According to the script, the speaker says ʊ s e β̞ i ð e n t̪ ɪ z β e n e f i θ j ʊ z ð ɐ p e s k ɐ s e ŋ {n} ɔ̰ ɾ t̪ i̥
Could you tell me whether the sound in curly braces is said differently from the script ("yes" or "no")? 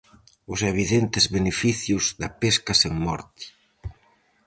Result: yes